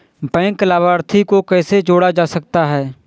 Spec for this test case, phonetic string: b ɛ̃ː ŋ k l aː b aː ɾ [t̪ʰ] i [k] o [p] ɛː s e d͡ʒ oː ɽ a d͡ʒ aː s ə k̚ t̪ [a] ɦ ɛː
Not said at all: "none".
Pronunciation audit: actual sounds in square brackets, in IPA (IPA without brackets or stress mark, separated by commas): t̪ʰ, k, k, a